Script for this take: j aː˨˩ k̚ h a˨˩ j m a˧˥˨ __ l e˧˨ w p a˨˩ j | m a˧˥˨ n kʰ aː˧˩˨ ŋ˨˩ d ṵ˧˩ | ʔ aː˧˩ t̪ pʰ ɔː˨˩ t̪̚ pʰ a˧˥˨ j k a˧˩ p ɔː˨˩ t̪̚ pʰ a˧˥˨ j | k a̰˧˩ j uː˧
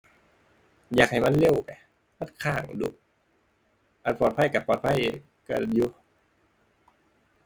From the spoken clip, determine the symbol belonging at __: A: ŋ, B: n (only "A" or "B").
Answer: B